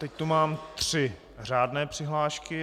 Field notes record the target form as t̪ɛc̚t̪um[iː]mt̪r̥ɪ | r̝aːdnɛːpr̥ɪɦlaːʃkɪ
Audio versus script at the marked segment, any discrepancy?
yes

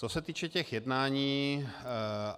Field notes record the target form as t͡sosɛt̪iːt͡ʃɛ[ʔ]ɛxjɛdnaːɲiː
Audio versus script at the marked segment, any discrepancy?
yes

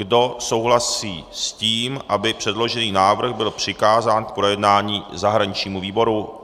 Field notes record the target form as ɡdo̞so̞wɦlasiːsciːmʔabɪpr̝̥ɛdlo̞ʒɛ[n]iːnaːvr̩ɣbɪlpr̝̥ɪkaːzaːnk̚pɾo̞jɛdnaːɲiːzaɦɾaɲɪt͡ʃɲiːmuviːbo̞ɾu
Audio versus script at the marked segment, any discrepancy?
no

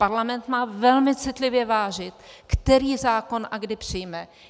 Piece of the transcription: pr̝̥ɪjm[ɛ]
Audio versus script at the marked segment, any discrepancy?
no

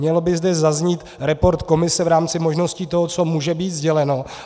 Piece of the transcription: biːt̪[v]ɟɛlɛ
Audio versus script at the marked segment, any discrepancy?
yes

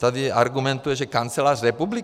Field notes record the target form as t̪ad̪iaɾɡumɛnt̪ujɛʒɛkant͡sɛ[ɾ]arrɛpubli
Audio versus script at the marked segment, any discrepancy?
yes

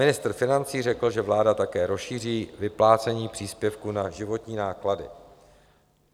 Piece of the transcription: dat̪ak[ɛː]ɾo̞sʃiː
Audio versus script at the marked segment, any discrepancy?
no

